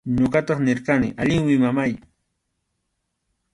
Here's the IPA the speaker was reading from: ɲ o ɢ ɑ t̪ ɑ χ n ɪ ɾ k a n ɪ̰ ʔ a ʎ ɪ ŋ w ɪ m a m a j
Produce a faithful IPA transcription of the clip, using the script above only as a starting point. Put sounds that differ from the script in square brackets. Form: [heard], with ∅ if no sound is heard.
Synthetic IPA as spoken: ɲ o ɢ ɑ t̪ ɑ χ n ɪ ɾ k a n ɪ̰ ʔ a ʎ ɪ ŋ w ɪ m a m a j